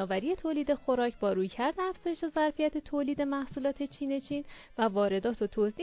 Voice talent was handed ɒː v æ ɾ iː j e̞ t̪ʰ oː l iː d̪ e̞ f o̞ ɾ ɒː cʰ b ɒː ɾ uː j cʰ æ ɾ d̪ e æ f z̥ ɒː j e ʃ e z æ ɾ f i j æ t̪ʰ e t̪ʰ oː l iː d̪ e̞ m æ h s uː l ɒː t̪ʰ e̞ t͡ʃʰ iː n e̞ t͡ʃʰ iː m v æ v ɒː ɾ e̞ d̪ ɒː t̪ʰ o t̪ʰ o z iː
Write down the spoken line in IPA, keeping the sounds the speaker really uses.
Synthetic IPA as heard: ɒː v æ ɾ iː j e̞ t̪ʰ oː l iː d̪ e̞ x o̞ ɾ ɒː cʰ b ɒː ɾ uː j cʰ æ ɾ d̪ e æ f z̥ ɒː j e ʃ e z æ ɾ f i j æ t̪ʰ e t̪ʰ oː l iː d̪ e̞ m æ h s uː l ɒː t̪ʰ e̞ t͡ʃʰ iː n e̞ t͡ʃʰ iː n v æ v ɒː ɾ e̞ d̪ ɒː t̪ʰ o t̪ʰ o z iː